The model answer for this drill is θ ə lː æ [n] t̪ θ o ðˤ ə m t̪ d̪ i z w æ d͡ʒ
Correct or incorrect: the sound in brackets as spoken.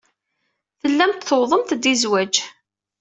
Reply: incorrect: m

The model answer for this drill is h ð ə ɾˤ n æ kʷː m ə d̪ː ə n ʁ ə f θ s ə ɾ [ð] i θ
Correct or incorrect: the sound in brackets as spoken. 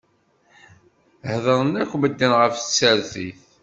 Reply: incorrect: θ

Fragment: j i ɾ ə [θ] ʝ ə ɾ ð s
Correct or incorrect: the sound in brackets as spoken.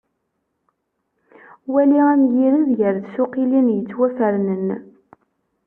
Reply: incorrect: ð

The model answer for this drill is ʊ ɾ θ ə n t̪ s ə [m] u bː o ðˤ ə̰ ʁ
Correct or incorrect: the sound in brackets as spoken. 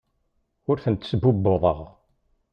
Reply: incorrect: b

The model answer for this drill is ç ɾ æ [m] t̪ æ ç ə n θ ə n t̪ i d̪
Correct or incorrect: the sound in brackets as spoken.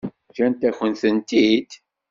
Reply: incorrect: n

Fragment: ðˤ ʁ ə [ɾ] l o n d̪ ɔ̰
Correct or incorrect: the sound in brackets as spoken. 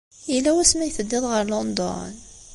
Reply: correct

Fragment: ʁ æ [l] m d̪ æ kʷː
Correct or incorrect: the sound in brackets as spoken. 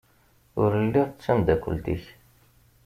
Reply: incorrect: none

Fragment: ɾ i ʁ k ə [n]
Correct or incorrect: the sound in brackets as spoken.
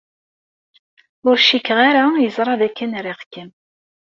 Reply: incorrect: m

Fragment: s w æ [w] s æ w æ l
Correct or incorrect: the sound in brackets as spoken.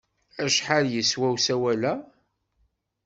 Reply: correct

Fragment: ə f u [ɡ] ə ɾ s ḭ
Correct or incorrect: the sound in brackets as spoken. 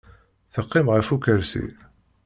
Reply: incorrect: k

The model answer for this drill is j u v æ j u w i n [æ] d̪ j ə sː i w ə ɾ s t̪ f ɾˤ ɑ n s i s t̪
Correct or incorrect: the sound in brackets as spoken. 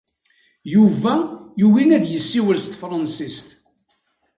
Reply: correct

